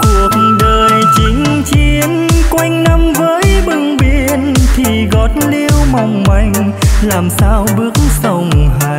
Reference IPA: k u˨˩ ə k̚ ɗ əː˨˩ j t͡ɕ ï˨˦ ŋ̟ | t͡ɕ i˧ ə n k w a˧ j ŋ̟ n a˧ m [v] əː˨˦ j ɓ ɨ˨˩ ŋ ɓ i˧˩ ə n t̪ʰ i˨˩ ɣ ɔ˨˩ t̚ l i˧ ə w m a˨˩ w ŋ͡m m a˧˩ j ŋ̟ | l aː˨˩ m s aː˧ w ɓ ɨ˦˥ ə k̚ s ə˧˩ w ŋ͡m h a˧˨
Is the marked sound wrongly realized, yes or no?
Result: no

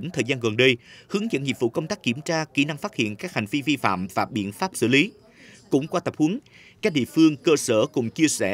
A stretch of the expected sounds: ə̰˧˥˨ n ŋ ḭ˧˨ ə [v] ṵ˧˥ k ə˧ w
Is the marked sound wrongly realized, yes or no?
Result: no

